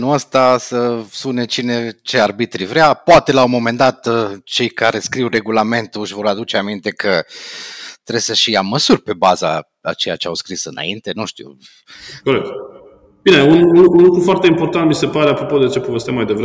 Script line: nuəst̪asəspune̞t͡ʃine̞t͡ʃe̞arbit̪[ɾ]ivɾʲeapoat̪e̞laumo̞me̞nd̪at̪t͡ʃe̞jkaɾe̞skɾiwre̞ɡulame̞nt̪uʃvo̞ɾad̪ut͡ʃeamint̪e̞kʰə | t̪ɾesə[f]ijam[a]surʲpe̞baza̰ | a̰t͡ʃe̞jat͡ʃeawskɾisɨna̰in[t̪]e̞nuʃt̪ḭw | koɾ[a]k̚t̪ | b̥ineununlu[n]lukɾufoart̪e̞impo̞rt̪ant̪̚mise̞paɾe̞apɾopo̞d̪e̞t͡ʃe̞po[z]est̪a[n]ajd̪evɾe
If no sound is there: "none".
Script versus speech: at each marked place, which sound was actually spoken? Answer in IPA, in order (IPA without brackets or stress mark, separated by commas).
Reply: ɾ, ʃ, ə, t̪, e, n, v, m